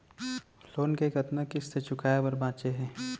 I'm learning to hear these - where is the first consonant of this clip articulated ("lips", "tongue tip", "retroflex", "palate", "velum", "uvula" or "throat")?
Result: tongue tip